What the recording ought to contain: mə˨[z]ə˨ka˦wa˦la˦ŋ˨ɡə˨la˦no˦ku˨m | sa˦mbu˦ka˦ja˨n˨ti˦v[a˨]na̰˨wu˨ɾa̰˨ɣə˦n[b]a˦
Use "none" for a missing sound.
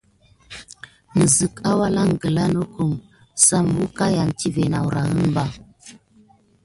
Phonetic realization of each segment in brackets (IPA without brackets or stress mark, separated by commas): z, e˨, b